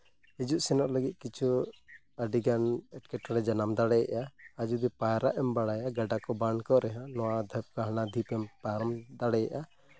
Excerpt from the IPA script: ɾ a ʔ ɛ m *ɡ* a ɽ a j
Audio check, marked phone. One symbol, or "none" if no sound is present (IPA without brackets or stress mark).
b